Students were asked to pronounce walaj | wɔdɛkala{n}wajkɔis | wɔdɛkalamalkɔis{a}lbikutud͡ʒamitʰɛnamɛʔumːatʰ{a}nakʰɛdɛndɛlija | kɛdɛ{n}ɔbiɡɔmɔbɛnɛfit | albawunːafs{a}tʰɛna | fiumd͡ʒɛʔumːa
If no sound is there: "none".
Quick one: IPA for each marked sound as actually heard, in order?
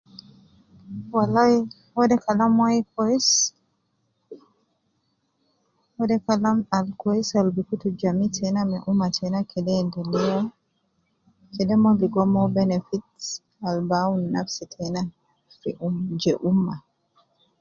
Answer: m, a, ɛ, m, i

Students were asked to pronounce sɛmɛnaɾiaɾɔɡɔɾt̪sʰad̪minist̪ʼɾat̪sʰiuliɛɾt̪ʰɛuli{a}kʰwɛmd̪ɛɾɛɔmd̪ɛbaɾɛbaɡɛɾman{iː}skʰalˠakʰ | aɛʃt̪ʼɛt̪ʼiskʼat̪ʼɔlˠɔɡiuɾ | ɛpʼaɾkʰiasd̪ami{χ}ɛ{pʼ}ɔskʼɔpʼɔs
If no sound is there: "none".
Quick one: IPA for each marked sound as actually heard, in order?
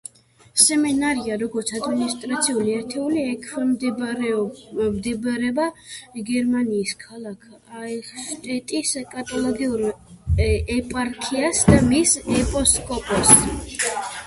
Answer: ɛ, iː, s, pʼ

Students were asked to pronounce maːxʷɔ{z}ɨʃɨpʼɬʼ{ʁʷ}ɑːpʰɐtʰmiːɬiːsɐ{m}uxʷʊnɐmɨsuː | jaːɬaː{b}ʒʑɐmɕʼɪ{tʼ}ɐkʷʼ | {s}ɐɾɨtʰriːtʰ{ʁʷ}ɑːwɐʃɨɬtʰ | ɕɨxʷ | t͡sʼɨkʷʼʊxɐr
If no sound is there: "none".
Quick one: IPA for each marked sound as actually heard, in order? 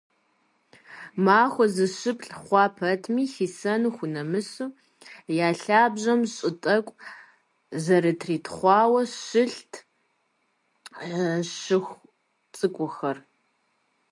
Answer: z, χʷ, n, b, tʼ, z, χʷ

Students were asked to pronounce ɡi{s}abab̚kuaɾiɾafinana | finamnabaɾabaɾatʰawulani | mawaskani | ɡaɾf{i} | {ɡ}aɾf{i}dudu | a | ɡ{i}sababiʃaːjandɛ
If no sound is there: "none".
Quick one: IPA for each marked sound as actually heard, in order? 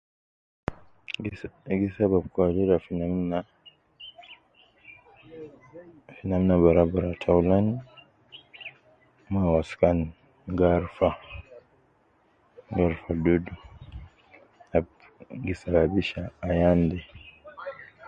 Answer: s, a, ɡ, a, i

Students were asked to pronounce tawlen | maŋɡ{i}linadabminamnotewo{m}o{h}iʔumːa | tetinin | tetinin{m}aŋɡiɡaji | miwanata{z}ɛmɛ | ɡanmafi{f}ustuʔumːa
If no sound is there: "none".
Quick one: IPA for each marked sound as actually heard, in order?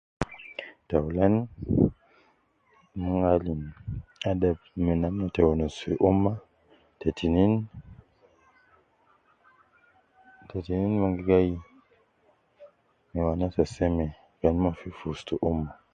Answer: a, n, s, m, s, f

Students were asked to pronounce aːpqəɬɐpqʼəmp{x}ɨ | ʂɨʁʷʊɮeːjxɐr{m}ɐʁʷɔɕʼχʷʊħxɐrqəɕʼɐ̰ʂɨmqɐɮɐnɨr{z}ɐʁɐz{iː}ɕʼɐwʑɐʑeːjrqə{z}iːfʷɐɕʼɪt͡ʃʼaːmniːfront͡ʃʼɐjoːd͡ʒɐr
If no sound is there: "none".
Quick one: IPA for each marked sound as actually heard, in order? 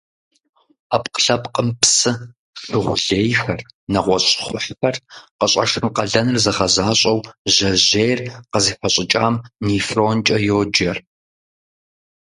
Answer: s, n, z, aː, z

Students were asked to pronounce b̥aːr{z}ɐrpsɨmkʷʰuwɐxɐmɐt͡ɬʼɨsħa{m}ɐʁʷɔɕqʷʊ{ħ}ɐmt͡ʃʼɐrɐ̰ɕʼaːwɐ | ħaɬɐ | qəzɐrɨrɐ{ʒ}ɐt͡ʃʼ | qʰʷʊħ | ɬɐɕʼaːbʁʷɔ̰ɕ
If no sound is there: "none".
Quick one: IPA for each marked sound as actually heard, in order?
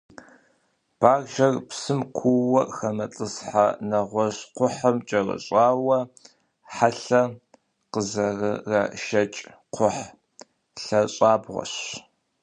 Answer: ʒ, n, ħ, ʃ

